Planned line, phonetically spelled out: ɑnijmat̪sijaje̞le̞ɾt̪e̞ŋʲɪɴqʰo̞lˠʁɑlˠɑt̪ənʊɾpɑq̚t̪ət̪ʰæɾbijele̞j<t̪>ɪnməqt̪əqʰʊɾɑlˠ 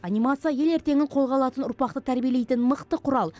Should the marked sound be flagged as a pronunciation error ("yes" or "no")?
no